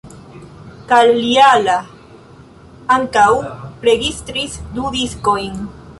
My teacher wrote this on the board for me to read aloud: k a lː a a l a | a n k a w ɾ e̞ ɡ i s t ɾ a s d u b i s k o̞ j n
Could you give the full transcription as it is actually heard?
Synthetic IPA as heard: k a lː i a l a | a ŋ k a w ɾ e̞ ɡ i s t ɾ i s d u d i s k o̞ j n